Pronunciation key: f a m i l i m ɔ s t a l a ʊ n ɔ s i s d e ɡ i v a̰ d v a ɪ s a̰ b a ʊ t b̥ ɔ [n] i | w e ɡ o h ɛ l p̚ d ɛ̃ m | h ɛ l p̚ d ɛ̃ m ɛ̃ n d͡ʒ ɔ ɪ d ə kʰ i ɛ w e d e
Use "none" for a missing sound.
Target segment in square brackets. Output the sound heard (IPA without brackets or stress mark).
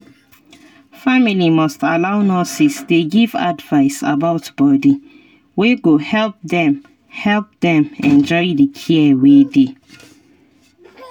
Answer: d